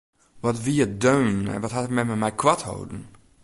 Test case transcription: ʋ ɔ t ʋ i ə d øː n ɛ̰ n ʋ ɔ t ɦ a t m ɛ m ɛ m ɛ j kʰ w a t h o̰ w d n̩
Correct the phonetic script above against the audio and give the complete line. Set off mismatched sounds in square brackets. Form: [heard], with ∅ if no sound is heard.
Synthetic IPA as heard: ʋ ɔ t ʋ i ə d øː n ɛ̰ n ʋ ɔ t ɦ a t m ɛ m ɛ m ɛ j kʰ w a t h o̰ w d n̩